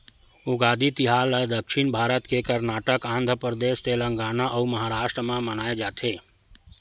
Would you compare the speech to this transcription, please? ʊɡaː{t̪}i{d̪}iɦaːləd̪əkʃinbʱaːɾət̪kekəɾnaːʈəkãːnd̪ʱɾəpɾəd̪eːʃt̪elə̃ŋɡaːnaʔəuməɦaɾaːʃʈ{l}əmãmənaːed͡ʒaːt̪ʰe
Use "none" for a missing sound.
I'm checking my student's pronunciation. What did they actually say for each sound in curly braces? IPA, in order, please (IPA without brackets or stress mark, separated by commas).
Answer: d̪, t̪, ɾ